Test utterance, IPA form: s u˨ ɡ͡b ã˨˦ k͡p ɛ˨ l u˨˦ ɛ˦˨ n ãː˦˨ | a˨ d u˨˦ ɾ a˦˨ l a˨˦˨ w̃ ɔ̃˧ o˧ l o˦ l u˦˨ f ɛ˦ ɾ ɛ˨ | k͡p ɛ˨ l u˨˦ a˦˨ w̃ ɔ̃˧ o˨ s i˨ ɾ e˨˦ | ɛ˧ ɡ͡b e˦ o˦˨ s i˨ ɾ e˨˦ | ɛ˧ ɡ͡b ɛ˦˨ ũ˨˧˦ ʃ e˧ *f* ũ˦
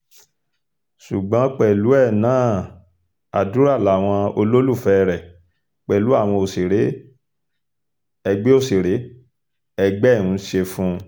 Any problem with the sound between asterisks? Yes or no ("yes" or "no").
no